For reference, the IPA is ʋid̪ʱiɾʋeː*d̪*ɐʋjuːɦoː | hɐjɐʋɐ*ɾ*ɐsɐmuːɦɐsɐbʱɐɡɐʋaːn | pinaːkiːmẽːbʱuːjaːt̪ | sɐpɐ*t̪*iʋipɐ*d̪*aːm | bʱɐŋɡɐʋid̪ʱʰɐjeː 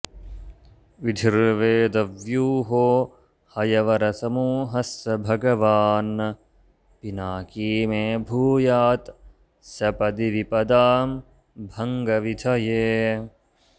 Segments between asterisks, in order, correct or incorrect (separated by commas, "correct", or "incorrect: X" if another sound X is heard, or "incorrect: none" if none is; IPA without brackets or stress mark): correct, correct, incorrect: d̪, correct